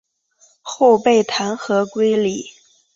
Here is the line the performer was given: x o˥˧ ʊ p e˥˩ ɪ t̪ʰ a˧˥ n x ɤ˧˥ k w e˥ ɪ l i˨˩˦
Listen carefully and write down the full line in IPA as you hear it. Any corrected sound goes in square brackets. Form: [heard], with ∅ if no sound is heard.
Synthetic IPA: x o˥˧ ʊ p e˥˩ ɪ t̪ʰ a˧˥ n x ɤ˧˥ k w e˥ ɪ l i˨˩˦

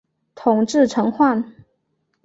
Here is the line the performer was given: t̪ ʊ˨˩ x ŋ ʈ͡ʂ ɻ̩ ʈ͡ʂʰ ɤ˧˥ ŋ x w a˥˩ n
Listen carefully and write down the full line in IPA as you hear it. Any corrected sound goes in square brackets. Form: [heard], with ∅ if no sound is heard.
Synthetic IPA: [t̪ʰ] ʊ˨˩ [∅] ŋ ʈ͡ʂ ɻ̩ ʈ͡ʂʰ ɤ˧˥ ŋ x w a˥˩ n

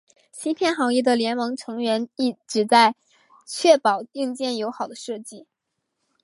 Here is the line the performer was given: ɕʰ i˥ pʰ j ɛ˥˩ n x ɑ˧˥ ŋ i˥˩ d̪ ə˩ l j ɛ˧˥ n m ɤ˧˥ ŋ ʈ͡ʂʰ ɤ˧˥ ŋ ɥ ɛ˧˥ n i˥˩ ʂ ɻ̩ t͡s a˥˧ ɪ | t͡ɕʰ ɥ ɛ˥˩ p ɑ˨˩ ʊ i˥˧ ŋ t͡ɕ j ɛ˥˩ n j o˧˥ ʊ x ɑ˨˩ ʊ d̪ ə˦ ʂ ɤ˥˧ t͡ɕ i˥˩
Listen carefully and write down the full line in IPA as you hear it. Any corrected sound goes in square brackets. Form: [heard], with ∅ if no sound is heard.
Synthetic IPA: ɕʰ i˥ pʰ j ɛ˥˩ n x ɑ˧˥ ŋ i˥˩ d̪ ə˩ l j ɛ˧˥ n m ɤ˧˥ ŋ ʈ͡ʂʰ ɤ˧˥ ŋ ɥ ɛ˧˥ n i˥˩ [ʈ͡ʂ] ɻ̩ t͡s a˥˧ ɪ | t͡ɕʰ ɥ ɛ˥˩ p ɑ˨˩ ʊ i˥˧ ŋ t͡ɕ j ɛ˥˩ n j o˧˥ ʊ x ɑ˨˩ ʊ d̪ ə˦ ʂ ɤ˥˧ t͡ɕ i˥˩

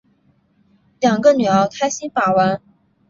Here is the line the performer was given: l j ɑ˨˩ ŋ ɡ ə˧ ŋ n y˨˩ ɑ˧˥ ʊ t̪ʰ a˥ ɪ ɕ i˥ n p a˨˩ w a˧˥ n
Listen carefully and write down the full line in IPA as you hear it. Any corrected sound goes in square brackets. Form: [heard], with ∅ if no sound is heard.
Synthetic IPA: l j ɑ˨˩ ŋ ɡ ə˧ [∅] n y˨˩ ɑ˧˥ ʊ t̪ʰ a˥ ɪ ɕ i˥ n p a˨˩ w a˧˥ n

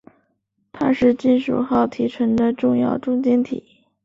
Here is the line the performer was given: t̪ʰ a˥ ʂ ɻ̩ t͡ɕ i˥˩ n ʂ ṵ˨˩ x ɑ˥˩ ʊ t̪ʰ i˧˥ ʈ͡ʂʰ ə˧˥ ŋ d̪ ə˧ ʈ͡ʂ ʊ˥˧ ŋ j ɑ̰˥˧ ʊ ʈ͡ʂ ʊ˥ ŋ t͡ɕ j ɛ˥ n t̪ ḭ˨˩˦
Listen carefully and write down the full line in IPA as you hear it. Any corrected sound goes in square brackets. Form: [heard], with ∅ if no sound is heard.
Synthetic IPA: t̪ʰ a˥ ʂ ɻ̩ t͡ɕ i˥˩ n ʂ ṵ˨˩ x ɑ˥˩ ʊ t̪ʰ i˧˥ ʈ͡ʂʰ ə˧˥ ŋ d̪ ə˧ ʈ͡ʂ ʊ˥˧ ŋ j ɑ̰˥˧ ʊ ʈ͡ʂ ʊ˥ ŋ t͡ɕ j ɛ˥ n [t̪ʰ] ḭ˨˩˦

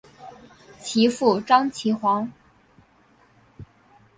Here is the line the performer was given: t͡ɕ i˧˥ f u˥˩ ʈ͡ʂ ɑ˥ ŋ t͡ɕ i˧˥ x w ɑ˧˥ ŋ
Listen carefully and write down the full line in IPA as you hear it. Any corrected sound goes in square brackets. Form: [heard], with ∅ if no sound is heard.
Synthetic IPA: [t͡ɕʰ] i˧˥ f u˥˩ ʈ͡ʂ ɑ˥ ŋ [t͡ɕʰ] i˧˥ x w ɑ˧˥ ŋ

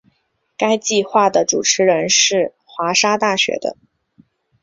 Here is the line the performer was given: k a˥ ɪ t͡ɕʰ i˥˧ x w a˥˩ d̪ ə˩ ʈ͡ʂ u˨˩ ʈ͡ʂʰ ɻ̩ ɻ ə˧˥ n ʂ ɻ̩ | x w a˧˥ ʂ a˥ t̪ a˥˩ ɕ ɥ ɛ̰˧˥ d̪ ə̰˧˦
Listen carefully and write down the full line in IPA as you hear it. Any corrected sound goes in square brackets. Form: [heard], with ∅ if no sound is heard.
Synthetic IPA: k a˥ ɪ [t͡ɕ] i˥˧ x w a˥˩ d̪ ə˩ ʈ͡ʂ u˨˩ ʈ͡ʂʰ ɻ̩ ɻ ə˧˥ n ʂ ɻ̩ | x w a˧˥ ʂ a˥ t̪ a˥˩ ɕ ɥ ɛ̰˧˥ d̪ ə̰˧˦

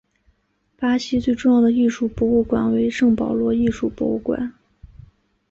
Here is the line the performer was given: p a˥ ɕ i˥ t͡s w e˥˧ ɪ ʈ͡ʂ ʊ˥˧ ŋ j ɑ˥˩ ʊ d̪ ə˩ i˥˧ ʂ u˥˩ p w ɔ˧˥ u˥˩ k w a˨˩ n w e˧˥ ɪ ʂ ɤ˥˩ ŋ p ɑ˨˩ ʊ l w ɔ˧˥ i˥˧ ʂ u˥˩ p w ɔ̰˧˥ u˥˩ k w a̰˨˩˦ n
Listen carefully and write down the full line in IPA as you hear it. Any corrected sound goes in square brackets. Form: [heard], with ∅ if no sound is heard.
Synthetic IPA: p a˥ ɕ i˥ t͡s w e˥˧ ɪ ʈ͡ʂ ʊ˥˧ ŋ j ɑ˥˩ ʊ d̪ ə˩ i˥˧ ʂ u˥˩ p w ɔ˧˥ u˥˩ k w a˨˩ n w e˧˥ ɪ ʂ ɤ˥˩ ŋ p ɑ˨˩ ʊ l w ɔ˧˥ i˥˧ ʂ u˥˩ p w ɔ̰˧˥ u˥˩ k w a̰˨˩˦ n

